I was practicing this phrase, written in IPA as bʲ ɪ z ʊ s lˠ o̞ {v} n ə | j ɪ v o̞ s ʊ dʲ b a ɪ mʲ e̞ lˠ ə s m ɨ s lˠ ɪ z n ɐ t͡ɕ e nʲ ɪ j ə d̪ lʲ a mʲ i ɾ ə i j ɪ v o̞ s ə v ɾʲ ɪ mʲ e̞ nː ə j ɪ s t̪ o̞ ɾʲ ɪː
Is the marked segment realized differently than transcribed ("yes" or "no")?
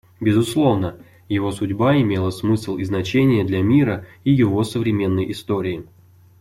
no